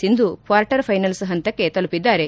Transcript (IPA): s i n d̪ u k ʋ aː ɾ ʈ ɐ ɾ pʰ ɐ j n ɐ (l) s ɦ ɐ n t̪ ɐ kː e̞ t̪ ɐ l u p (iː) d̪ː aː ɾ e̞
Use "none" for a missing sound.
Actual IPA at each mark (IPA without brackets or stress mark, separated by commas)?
l, i